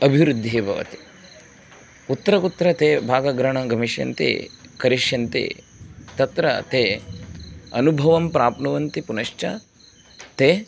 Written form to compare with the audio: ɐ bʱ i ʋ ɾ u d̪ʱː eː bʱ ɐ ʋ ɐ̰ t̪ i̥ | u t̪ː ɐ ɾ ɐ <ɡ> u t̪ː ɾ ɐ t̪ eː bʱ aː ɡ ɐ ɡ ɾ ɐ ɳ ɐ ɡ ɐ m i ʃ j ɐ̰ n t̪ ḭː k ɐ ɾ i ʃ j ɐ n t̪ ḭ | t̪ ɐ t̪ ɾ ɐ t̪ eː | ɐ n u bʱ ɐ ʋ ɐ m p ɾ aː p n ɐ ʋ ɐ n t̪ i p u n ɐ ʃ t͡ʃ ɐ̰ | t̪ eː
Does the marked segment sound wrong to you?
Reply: yes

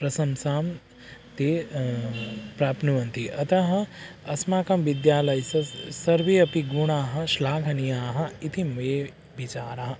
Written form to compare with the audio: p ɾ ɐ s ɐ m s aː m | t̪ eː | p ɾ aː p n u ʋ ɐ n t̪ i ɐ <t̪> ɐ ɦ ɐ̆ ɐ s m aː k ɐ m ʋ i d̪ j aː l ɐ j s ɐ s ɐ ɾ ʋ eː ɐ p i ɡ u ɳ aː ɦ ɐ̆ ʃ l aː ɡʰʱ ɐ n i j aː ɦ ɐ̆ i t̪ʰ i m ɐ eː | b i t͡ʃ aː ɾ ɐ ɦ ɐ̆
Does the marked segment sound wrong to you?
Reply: no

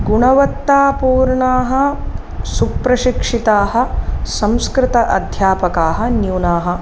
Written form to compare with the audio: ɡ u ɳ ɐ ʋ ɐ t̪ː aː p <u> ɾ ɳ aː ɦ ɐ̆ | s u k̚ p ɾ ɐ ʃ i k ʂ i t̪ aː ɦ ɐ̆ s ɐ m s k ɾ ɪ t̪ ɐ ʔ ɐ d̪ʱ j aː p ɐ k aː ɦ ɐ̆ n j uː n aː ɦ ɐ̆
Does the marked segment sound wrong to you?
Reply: yes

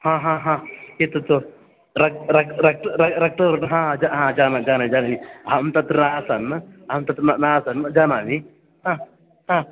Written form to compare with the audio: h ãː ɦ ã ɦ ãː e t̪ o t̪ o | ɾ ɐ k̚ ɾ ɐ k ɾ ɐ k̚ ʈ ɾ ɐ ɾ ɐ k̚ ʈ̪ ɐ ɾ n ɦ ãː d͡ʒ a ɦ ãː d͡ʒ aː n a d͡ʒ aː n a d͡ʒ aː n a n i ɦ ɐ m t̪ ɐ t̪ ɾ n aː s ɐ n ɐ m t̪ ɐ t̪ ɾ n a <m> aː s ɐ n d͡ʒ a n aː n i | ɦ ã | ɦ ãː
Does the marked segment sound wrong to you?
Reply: yes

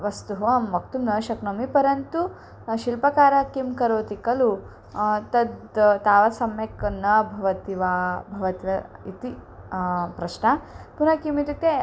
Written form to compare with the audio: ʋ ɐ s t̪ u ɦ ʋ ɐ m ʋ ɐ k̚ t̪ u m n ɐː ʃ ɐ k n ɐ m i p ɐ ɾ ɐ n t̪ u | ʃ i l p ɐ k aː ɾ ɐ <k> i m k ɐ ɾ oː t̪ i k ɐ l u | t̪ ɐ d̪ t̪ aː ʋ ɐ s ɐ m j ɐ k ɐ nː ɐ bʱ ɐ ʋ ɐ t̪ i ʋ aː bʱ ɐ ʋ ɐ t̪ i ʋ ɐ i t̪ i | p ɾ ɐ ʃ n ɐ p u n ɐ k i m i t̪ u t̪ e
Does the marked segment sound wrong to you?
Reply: no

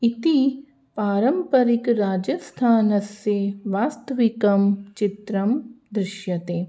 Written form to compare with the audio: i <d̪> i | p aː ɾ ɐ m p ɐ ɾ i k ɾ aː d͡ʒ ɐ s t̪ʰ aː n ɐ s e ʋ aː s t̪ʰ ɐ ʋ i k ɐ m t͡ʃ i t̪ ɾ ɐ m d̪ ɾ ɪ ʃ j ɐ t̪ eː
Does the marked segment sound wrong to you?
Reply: yes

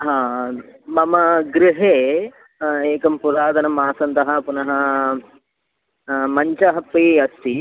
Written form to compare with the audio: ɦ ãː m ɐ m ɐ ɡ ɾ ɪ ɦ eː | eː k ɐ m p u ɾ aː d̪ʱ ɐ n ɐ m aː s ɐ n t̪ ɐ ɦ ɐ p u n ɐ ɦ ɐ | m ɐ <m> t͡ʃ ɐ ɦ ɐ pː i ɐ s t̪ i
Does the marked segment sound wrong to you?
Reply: yes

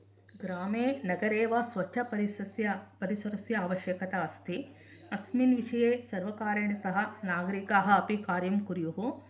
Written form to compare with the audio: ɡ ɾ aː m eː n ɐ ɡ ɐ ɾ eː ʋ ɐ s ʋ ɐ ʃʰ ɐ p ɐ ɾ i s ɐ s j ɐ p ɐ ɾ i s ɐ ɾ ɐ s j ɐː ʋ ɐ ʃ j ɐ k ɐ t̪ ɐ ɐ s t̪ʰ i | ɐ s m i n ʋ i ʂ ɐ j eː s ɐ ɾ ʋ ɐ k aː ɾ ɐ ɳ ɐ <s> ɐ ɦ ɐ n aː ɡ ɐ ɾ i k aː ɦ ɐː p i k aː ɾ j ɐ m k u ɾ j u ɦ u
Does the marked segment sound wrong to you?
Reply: no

